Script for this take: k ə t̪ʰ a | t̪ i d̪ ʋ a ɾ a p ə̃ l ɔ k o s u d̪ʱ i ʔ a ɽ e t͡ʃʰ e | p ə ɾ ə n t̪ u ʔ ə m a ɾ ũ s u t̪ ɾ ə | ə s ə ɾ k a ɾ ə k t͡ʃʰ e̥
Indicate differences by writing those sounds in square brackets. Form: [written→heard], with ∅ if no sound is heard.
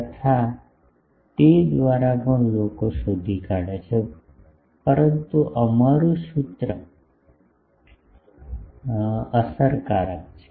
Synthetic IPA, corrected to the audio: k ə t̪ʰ a | t̪ [i→e] d̪ ʋ a ɾ a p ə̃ l [ɔ→o] k o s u d̪ʱ i [ʔ→k] a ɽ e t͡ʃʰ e | p ə ɾ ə n t̪ u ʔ ə m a ɾ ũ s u t̪ ɾ ə | ə s ə ɾ k a ɾ ə k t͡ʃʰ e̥